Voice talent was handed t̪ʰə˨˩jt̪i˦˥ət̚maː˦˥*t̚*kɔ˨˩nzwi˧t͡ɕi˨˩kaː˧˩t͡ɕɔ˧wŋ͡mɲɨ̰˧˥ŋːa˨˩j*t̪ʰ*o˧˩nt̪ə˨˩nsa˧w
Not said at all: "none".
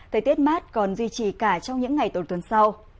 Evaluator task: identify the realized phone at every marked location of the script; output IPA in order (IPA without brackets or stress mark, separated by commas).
t̚, t̪